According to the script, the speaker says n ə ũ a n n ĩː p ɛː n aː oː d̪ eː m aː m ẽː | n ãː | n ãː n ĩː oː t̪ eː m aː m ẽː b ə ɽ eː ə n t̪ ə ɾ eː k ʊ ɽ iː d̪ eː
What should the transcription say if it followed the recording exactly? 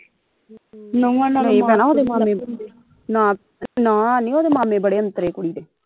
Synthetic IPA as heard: n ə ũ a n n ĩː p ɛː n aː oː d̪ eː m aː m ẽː | n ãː | n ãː n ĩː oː d̪ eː m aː m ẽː b ə ɽ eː ə n t̪ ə ɾ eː k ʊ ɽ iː d̪ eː